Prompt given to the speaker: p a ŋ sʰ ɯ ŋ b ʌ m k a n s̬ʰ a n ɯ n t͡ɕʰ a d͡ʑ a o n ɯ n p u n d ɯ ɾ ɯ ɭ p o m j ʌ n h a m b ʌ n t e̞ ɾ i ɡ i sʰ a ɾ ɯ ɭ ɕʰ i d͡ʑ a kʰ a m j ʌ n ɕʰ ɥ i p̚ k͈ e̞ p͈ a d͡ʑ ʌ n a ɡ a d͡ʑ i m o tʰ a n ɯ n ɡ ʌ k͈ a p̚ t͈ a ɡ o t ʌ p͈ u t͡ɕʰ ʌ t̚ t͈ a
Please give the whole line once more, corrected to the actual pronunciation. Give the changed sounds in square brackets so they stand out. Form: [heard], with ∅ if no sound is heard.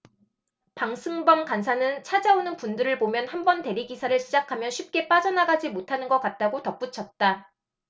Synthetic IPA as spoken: p a ŋ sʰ ɯ ŋ b ʌ m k a n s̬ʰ a n ɯ n t͡ɕʰ a d͡ʑ a o n ɯ n p u n d ɯ ɾ ɯ ɭ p o m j ʌ n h a m b ʌ n t e̞ ɾ i ɡ i sʰ a ɾ ɯ ɭ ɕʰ i d͡ʑ a kʰ a m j ʌ n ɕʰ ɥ i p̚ k͈ e̞ p͈ a d͡ʑ ʌ n a ɡ a d͡ʑ i m o tʰ a n ɯ n ɡ ʌ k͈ a [t̚] t͈ a ɡ o t ʌ p͈ u t͡ɕʰ ʌ t̚ t͈ a

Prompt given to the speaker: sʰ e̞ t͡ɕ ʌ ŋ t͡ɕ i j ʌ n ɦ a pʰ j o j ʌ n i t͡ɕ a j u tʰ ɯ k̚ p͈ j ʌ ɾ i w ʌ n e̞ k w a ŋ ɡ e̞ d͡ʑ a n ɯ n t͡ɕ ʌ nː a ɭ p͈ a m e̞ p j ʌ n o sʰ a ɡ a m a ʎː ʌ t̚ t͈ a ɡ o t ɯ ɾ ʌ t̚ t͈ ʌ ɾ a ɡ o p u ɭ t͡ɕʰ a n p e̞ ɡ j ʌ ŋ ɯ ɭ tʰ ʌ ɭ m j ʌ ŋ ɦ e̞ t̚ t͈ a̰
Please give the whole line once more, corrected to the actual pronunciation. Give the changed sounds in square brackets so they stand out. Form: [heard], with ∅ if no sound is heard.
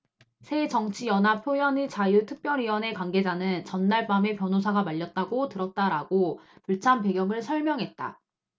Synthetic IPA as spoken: sʰ e̞ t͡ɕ ʌ ŋ [t͡ɕʰ] i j ʌ n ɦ a pʰ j o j ʌ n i t͡ɕ a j u tʰ ɯ k̚ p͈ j ʌ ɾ i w ʌ n e̞ k w a ŋ ɡ e̞ d͡ʑ a n ɯ n t͡ɕ ʌ nː a ɭ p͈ a m e̞ p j ʌ n o sʰ a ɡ a m a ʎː ʌ t̚ t͈ a ɡ o t ɯ ɾ ʌ t̚ t͈ [a] ɾ a ɡ o p u ɭ t͡ɕʰ a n p e̞ ɡ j ʌ ŋ ɯ ɭ [sʰ] ʌ ɭ m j ʌ ŋ ɦ e̞ t̚ t͈ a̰

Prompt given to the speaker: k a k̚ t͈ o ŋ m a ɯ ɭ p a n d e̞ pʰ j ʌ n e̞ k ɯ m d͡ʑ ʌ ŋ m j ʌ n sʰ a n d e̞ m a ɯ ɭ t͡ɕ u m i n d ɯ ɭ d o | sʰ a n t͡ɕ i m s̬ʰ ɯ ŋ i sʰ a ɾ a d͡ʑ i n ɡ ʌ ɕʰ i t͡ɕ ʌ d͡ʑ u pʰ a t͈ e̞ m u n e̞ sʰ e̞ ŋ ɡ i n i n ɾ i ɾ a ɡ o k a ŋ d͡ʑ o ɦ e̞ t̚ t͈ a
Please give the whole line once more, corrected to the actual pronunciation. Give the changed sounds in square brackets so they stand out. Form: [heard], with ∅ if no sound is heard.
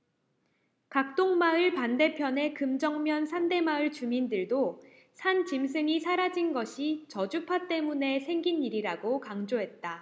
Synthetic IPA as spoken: k a k̚ t͈ o ŋ m a ɯ ɭ p a n d e̞ pʰ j ʌ n e̞ k ɯ m d͡ʑ ʌ ŋ m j ʌ n sʰ a n d e̞ m a ɯ ɭ t͡ɕ u m i n d ɯ ɭ d o | sʰ a n t͡ɕ i m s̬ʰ ɯ ŋ i sʰ a ɾ a d͡ʑ i n ɡ ʌ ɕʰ i t͡ɕ ʌ d͡ʑ u pʰ a t͈ e̞ m u n e̞ sʰ e̞ ŋ ɡ i n i [∅] ɾ i ɾ a ɡ o k a ŋ d͡ʑ o ɦ e̞ t̚ t͈ a

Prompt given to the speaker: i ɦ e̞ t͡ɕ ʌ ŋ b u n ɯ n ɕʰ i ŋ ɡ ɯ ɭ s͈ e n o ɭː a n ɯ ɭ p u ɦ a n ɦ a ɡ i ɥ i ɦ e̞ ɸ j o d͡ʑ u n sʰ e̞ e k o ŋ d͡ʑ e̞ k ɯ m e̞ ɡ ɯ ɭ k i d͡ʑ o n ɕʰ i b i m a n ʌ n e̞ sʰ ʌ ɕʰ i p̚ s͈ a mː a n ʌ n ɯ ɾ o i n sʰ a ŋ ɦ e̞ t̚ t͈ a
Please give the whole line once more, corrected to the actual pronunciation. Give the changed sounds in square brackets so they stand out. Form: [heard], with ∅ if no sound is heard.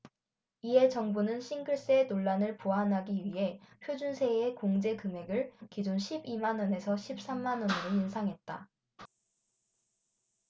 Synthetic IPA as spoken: i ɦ e̞ t͡ɕ ʌ ŋ b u n ɯ n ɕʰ i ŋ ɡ ɯ ɭ s͈ e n o ɭː a n ɯ ɭ p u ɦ a n ɦ a ɡ i ɥ i ɦ e̞ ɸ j o d͡ʑ u n sʰ e̞ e k o ŋ d͡ʑ e̞ k ɯ m e̞ ɡ ɯ ɭ k i d͡ʑ o n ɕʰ i b i m a n ʌ n e̞ sʰ ʌ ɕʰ i p̚ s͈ a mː a n ʌ n ɯ ɾ o i n sʰ a ŋ ɦ e̞ t̚ t͈ a

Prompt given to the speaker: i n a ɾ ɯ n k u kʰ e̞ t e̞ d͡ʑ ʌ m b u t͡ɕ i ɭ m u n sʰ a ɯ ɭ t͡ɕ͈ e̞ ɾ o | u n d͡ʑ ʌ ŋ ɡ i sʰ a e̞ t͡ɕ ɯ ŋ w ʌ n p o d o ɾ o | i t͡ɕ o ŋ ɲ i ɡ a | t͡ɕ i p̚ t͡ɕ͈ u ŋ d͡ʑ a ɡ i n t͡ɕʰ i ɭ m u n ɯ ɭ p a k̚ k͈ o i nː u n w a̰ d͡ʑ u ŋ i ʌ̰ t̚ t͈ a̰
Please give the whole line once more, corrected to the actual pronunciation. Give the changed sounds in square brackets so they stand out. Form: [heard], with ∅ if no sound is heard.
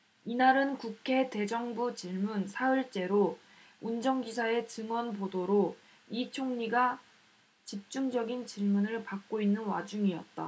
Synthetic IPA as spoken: i n a ɾ ɯ n k u kʰ e̞ t e̞ d͡ʑ ʌ [ŋ] b u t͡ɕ i ɭ m u n sʰ a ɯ ɭ t͡ɕ͈ e̞ ɾ o | u n d͡ʑ ʌ ŋ ɡ i sʰ a e̞ t͡ɕ ɯ ŋ w ʌ n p o d o ɾ o | i [t͡ɕʰ] o ŋ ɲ i ɡ a | t͡ɕ i p̚ t͡ɕ͈ u ŋ d͡ʑ [ʌ] ɡ i n [t͡ɕ] i ɭ m u n ɯ ɭ p a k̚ k͈ o i nː [ɯ] n w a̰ d͡ʑ u ŋ i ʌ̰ t̚ t͈ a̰

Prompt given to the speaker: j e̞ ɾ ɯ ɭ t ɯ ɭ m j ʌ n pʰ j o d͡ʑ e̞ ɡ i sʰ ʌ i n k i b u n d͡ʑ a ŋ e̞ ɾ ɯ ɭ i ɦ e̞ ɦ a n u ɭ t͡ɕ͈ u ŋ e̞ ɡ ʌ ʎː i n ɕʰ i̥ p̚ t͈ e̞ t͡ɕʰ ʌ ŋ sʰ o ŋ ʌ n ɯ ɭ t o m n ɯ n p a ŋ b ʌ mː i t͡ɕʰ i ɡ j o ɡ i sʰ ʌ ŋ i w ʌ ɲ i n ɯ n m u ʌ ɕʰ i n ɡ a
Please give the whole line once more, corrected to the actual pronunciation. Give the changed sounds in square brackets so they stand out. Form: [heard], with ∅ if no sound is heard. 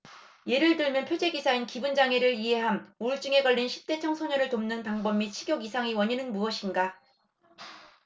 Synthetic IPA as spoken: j e̞ ɾ ɯ ɭ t ɯ ɭ m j ʌ n pʰ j o d͡ʑ e̞ ɡ i sʰ [a] i n k i b u n d͡ʑ a ŋ e̞ ɾ ɯ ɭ i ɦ e̞ ɦ a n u ɭ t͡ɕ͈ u ŋ e̞ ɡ ʌ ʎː i n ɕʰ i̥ p̚ t͈ e̞ t͡ɕʰ ʌ ŋ sʰ o [ɲ] ʌ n ɯ ɭ t o m n ɯ n p a ŋ b ʌ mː i t͡ɕʰ i ɡ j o ɡ i sʰ [a] ŋ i w ʌ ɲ i n ɯ n m u ʌ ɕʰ i n ɡ a

